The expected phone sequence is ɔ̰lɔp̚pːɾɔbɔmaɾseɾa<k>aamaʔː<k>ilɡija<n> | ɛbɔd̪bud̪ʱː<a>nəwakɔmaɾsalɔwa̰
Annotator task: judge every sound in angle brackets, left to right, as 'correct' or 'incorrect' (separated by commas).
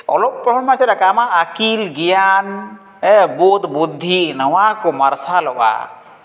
correct, correct, correct, incorrect